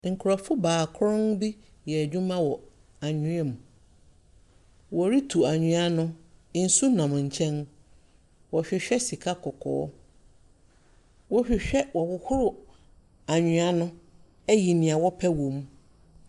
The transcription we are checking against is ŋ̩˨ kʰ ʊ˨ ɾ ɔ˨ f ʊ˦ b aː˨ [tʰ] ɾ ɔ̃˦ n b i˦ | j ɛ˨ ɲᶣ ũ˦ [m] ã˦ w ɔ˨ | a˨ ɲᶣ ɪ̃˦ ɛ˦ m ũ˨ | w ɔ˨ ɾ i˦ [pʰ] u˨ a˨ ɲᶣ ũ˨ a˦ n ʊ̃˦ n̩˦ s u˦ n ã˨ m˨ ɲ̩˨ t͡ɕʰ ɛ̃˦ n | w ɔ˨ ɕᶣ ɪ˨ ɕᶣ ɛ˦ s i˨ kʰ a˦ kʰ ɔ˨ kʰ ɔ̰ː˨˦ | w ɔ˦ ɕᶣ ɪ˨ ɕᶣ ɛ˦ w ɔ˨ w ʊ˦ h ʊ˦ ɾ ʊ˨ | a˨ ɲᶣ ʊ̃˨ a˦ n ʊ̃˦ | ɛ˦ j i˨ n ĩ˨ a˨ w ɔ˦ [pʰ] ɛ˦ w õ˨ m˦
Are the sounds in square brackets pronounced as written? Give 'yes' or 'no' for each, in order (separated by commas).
no, yes, no, yes